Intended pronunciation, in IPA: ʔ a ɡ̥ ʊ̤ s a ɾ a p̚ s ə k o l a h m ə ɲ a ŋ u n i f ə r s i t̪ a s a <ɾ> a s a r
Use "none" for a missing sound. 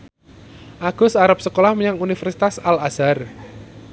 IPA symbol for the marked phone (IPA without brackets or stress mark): l